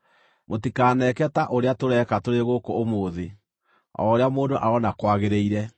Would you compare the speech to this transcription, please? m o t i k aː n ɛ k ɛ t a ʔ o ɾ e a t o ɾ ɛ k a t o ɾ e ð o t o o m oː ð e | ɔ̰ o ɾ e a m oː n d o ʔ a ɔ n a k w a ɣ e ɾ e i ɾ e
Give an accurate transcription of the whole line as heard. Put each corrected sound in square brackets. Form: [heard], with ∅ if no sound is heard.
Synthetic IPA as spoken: m o t i k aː n ɛ k ɛ t a ʔ o ɾ e a t o ɾ ɛ k a t o ɾ e [ɣ] o [k] o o m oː ð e | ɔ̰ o ɾ e a m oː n d o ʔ a ɔ n a k w a ɣ e ɾ e i ɾ [ɛ]